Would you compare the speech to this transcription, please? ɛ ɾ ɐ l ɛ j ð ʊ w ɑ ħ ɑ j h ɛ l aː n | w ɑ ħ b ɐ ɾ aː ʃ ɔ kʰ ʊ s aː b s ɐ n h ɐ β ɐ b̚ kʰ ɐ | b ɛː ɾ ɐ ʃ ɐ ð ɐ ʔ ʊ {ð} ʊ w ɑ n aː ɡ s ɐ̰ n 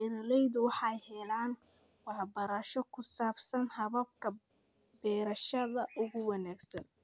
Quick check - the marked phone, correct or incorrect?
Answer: incorrect